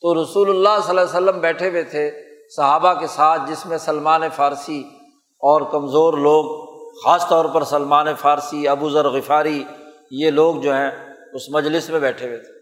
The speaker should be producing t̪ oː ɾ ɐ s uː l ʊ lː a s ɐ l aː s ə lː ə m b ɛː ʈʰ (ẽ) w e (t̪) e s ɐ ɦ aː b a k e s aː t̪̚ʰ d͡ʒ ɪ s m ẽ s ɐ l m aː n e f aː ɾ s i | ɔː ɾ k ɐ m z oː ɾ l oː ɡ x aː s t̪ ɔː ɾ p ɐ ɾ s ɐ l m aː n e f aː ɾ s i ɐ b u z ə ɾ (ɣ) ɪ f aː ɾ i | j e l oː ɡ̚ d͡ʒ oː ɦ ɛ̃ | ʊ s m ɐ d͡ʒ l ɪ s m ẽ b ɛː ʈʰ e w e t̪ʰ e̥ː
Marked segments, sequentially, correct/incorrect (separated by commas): incorrect, incorrect, correct